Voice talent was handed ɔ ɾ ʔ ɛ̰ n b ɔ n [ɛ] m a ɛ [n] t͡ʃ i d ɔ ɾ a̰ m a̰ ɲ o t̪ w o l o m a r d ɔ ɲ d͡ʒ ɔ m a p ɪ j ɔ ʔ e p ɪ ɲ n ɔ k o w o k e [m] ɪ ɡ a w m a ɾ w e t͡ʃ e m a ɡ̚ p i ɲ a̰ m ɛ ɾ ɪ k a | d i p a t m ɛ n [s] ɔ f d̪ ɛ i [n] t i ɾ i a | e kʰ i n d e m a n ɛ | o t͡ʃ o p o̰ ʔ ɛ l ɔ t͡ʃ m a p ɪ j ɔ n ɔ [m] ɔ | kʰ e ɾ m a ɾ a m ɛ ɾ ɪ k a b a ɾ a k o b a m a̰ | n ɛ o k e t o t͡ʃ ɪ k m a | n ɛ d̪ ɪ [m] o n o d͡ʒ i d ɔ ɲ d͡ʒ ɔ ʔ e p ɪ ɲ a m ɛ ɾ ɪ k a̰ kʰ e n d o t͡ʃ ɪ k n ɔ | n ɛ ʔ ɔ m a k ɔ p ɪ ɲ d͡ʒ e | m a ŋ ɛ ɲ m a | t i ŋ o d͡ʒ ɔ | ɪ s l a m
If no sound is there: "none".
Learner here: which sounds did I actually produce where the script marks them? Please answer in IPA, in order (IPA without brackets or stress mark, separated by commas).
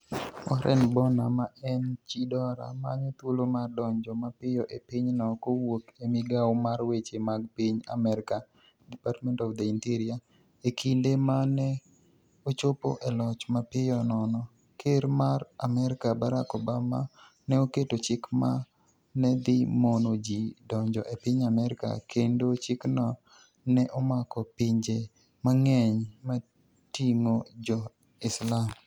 a, n, m, t, n, n, m